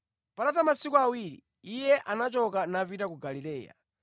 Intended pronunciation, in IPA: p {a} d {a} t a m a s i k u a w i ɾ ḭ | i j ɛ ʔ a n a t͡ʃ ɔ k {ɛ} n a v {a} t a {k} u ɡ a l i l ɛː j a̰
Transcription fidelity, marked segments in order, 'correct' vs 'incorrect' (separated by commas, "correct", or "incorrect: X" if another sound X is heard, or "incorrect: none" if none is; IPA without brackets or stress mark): correct, correct, incorrect: a, incorrect: i, correct